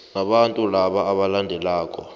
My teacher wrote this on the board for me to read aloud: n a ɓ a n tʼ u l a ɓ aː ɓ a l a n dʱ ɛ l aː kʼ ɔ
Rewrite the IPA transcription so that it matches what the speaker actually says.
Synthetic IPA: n a ɓ a n tʼ u l a ɓ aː ɓ a l a n dʱ ɛ l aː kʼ ɔ